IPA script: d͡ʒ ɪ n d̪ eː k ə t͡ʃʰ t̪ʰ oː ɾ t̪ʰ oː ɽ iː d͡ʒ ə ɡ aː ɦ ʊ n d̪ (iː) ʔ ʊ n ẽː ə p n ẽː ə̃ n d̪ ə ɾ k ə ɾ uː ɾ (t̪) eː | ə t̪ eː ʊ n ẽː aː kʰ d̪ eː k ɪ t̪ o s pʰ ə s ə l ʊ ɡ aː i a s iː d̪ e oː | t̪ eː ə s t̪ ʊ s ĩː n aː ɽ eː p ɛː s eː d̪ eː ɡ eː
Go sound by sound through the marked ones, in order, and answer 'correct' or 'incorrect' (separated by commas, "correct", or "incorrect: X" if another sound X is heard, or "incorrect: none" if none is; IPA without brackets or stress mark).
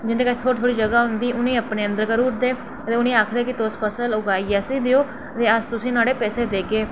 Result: correct, incorrect: d̪